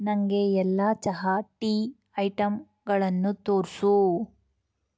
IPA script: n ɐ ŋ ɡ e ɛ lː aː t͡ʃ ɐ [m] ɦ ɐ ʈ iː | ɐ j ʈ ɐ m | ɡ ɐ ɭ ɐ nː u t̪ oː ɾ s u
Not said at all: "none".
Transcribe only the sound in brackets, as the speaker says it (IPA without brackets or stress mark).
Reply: none